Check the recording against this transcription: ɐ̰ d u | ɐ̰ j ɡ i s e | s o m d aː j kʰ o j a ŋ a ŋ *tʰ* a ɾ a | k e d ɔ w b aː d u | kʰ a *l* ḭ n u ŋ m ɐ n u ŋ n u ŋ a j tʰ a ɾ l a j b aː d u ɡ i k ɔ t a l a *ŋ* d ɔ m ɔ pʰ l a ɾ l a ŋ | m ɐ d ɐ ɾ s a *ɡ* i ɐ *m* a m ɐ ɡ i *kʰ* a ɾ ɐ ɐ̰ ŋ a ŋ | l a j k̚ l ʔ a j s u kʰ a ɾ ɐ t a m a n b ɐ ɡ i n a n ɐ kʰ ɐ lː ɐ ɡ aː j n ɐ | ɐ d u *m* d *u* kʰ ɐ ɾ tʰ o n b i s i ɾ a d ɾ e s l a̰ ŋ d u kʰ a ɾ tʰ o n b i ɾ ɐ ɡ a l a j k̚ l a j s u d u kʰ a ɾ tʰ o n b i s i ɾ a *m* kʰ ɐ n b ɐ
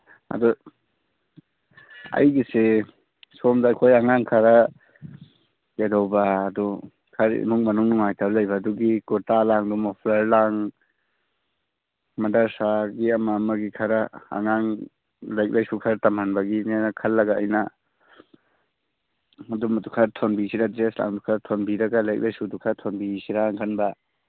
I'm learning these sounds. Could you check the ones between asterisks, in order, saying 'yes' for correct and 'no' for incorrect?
no, no, yes, yes, yes, yes, yes, yes, no

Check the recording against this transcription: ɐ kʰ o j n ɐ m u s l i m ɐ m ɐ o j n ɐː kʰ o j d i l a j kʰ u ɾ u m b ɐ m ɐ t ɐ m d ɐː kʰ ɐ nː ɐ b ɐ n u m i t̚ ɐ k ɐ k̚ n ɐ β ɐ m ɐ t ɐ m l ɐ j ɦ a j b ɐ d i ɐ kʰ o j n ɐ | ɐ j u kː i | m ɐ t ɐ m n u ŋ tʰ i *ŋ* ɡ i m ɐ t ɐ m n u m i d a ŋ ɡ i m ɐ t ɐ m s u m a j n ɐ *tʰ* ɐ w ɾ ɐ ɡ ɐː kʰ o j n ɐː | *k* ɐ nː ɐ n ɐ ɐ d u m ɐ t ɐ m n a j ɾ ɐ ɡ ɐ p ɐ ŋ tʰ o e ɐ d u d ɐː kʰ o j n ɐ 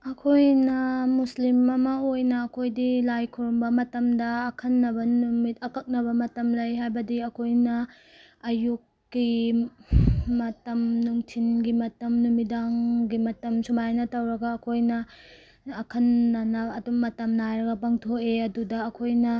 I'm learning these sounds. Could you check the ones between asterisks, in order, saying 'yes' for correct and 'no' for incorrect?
no, no, no

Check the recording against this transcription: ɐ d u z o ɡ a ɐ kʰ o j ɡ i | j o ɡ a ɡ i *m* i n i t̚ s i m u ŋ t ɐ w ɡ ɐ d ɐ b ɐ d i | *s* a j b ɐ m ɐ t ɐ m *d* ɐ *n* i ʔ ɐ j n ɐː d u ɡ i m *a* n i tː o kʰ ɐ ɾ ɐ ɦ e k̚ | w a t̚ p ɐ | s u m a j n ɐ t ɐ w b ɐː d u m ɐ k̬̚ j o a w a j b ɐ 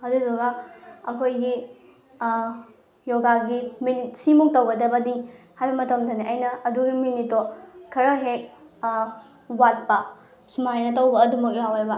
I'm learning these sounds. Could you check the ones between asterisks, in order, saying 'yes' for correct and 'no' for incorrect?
yes, no, yes, yes, no

